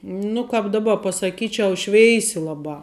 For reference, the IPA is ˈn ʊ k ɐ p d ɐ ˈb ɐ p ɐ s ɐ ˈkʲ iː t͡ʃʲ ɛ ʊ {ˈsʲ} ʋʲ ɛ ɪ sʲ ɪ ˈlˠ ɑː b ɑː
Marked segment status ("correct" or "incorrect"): incorrect